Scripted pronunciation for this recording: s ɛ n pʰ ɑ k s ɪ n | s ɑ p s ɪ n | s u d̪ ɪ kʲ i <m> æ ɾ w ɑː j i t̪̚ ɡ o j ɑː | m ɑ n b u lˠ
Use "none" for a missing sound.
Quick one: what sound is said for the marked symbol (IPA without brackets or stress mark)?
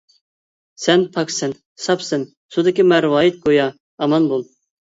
m